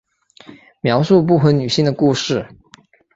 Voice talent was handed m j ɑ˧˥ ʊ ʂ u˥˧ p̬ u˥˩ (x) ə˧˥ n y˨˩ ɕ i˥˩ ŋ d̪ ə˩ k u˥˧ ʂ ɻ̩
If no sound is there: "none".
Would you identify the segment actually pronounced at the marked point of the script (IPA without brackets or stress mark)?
x